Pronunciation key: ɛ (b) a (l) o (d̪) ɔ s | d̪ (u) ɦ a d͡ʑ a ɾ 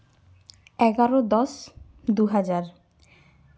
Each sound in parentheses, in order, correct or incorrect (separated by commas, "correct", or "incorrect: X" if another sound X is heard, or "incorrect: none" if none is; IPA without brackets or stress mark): incorrect: ɡ, incorrect: ɾ, correct, correct